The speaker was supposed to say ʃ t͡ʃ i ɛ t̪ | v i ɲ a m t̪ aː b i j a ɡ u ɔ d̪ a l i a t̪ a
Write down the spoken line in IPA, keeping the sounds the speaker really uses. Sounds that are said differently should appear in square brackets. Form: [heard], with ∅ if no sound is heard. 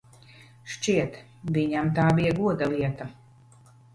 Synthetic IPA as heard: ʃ t͡ʃ i ɛ t̪ | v i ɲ a m t̪ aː b i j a ɡ u ɔ d̪ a l i [ɛ] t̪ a